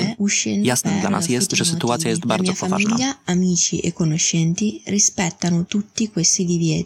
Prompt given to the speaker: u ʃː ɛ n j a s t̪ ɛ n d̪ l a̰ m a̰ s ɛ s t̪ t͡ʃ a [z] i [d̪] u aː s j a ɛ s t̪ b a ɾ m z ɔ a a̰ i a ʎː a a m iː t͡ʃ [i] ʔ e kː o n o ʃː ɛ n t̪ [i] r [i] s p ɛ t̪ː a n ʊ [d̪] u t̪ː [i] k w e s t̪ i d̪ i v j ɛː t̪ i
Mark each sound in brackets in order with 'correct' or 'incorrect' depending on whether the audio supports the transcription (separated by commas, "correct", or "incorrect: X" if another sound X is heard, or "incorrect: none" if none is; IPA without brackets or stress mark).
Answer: incorrect: s, incorrect: t̪, correct, correct, correct, incorrect: t̪, correct